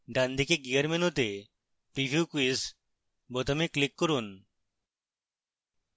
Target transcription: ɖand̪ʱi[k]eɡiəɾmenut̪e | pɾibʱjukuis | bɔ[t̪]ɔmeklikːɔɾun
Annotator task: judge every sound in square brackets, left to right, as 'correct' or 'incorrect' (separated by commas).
correct, correct